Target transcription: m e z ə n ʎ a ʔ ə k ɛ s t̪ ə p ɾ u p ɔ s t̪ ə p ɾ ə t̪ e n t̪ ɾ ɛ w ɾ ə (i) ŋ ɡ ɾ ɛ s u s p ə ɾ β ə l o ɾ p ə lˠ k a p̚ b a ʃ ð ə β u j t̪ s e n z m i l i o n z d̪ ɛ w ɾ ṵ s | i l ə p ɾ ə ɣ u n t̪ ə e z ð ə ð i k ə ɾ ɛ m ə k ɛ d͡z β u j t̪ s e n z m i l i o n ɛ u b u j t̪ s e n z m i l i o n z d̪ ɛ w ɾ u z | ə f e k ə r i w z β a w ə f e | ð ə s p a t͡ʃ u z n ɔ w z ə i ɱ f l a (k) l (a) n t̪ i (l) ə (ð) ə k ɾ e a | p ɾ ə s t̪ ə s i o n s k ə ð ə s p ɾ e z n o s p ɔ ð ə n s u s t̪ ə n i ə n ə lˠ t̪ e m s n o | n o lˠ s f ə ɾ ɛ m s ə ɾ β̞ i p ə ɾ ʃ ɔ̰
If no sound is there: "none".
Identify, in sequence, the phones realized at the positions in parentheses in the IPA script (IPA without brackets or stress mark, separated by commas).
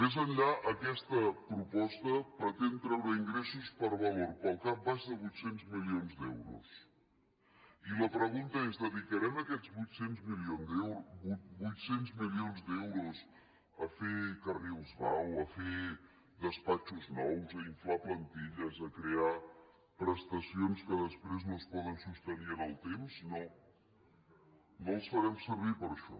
i, p, ə, ʎ, z